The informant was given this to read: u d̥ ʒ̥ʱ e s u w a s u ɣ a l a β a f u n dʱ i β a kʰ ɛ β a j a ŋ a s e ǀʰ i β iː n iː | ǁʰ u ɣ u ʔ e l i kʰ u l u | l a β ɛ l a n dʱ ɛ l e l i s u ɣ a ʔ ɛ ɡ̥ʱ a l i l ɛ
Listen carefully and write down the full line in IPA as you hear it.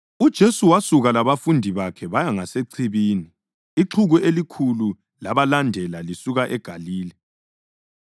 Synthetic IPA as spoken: u d̥ ʒ̥ʱ e s u w a s u ɣ a l a β a f u n dʱ i β a kʰ ɛ β a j a ŋ a s e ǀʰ i β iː n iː | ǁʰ u ɣ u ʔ e l i kʰ u l u | l a β a l a n dʱ ɛ l a l i s u ɣ a ʔ ɛ ɡ̥ʱ a l iː l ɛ